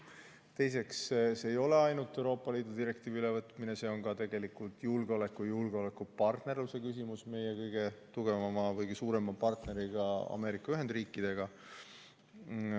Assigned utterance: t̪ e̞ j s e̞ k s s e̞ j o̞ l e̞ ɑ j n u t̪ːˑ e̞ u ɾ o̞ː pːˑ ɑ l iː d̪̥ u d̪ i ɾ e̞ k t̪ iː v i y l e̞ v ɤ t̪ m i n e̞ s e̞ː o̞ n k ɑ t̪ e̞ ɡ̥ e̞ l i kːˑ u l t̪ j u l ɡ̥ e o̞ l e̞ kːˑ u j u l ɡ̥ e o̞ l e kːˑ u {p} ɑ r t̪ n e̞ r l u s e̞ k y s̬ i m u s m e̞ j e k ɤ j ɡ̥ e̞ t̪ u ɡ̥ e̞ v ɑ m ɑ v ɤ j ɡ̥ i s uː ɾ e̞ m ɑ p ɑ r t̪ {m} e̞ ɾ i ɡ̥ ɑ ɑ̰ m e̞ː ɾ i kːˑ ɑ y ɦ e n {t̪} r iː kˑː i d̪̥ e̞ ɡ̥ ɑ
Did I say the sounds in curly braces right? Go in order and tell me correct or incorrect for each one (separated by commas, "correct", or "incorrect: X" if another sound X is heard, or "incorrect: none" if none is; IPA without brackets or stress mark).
correct, incorrect: n, incorrect: d̪